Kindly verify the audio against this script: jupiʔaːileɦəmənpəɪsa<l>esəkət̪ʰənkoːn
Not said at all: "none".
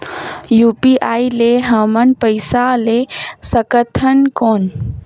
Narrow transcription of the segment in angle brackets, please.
l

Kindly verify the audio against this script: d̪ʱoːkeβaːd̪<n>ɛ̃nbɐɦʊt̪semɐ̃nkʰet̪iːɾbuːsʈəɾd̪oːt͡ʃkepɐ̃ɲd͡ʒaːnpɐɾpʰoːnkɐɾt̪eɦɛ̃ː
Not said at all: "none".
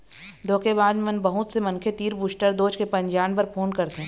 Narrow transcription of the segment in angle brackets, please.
m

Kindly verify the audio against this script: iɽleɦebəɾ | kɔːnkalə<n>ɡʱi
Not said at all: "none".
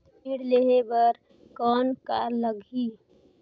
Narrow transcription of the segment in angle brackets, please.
none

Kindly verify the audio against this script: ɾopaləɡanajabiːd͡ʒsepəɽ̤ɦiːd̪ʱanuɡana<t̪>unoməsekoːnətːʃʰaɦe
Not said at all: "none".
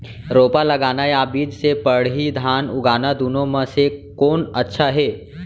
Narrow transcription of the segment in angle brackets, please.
d̪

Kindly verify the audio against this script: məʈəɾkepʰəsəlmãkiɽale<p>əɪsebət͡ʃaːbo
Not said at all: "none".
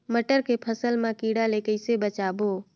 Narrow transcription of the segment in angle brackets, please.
k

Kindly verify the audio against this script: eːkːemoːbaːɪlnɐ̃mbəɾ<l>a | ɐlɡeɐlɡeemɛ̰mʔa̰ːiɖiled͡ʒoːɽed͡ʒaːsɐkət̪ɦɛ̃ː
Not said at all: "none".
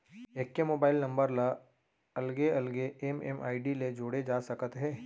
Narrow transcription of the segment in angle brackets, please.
l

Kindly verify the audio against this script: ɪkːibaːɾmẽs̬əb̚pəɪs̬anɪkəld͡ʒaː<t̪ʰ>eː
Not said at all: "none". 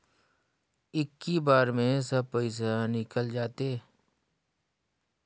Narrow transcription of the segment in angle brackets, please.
t̪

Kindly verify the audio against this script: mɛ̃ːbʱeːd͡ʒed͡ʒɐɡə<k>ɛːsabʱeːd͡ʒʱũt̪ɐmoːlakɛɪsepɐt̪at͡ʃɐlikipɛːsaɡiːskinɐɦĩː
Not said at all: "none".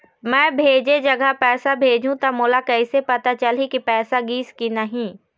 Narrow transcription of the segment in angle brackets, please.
p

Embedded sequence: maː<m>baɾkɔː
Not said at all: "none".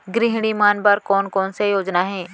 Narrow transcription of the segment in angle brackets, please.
n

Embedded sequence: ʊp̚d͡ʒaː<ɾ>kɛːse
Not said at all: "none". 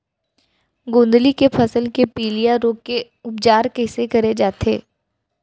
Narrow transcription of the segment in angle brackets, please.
ɾ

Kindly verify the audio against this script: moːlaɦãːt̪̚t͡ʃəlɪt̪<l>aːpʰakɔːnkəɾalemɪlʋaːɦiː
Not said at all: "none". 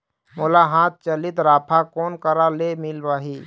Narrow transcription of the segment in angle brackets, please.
ɾ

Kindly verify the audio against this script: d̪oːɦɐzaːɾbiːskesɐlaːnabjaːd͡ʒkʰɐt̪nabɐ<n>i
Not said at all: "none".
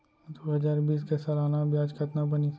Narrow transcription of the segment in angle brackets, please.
n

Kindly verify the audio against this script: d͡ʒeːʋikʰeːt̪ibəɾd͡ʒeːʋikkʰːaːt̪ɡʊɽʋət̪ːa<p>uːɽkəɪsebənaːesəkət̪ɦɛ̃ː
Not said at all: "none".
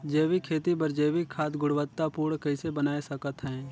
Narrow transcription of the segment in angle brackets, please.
p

